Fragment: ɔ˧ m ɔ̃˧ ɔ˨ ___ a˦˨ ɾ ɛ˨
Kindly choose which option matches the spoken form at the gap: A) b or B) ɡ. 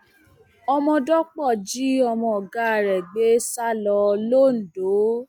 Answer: B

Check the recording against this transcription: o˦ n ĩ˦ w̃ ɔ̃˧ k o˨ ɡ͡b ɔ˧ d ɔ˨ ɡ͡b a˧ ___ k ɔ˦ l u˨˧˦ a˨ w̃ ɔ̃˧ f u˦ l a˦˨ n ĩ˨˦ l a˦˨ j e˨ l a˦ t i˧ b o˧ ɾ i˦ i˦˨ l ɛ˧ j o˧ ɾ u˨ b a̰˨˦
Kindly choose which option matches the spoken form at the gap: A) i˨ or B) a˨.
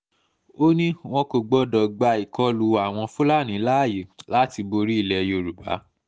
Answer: A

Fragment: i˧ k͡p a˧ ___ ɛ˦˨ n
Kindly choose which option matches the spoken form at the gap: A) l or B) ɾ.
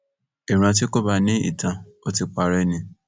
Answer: B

